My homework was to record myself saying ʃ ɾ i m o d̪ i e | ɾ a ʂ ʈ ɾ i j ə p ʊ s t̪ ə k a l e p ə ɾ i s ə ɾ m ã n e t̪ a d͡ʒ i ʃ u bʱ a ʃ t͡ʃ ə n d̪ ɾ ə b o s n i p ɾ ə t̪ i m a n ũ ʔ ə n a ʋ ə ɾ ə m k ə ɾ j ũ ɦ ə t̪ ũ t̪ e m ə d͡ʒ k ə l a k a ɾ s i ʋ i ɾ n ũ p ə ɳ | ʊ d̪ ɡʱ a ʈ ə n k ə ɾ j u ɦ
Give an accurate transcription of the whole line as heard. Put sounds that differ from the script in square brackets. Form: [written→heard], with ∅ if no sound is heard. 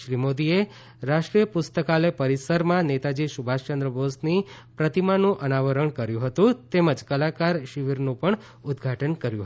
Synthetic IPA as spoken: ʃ ɾ i m o d̪ i e | ɾ a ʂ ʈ ɾ i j ə p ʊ s t̪ ə k a l e p ə ɾ i s ə ɾ m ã n e t̪ a d͡ʒ i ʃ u bʱ a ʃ t͡ʃ ə n d̪ ɾ ə b o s n i p ɾ ə t̪ i m a n ũ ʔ ə n a ʋ ə ɾ ə [m→ɳ] k ə ɾ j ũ ɦ ə t̪ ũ t̪ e m ə d͡ʒ k ə l a k a ɾ [s→ʃ] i ʋ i ɾ n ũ p ə ɳ | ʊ d̪ ɡʱ a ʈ ə n k ə ɾ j u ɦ